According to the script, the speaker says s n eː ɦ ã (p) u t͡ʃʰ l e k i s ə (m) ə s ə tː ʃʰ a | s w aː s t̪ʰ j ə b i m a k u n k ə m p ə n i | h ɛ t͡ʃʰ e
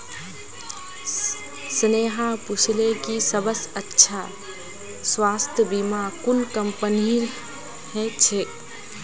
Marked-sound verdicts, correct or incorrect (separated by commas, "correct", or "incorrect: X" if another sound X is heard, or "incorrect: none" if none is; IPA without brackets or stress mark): correct, incorrect: b